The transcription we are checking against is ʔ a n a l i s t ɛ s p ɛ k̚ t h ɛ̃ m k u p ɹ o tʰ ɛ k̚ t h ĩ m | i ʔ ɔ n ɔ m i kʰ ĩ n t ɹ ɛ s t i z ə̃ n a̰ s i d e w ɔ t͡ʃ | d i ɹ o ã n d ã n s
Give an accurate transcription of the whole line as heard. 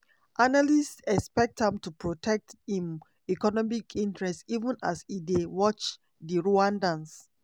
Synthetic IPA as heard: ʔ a n a l i s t ɛ s p ɛ k̚ t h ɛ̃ m t u p ɹ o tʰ ɛ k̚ t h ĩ m | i k ɔ n ɔ m i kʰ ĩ n t ɹ ɛ s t i v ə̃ n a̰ s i d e w ɔ t͡ʃ | d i ɹ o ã n d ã n s